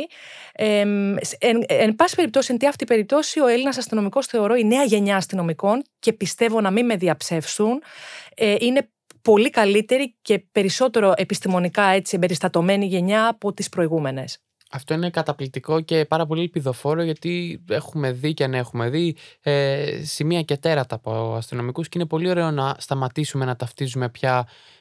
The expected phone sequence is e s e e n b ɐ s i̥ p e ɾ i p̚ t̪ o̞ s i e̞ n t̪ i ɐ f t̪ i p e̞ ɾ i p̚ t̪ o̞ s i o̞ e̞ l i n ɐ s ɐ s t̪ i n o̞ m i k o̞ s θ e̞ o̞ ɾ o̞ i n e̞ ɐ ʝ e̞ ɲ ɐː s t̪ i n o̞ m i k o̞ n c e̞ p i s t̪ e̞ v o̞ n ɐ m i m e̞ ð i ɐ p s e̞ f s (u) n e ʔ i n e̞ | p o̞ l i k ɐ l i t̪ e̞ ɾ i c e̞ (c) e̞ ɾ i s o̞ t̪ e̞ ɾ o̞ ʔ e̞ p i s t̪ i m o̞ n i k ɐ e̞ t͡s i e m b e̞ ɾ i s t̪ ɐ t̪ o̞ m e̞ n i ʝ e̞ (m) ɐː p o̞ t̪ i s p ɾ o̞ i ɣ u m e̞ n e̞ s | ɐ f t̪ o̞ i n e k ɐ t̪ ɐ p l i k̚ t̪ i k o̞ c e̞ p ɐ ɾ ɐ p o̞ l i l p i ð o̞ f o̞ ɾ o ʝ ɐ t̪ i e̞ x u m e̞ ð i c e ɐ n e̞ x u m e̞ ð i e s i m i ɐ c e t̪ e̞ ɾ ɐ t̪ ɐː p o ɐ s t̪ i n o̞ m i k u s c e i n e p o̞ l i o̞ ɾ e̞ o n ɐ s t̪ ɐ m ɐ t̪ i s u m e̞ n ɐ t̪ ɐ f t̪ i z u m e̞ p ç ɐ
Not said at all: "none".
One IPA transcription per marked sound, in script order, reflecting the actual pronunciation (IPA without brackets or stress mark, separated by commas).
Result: u, p, ɲ